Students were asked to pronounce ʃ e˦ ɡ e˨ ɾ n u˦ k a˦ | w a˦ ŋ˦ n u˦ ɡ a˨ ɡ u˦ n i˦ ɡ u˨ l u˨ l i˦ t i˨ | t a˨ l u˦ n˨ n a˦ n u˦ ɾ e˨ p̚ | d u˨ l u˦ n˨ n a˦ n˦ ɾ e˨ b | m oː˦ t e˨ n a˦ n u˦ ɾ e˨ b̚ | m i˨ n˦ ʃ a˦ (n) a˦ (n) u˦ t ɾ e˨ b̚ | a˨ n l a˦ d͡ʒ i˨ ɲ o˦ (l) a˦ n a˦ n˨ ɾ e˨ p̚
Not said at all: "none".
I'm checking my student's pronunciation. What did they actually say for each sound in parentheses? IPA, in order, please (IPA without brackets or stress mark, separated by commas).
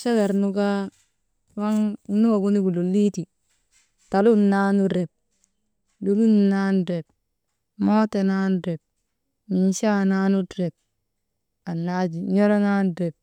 n, n, ɾ